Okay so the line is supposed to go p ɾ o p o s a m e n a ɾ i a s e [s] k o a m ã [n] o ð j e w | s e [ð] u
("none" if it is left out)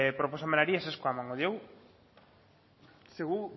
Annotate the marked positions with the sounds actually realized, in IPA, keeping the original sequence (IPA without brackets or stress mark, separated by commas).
s, ŋ, ɣ